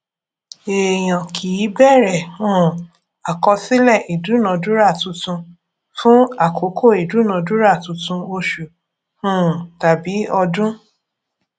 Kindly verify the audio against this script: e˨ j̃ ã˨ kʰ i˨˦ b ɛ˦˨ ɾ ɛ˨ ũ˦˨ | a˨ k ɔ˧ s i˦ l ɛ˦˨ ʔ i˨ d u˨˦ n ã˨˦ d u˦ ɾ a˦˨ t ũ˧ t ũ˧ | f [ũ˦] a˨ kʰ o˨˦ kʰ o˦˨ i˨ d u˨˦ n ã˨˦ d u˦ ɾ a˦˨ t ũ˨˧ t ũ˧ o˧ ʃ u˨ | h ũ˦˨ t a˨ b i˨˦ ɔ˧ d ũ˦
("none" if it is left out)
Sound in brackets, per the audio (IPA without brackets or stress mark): ũ˦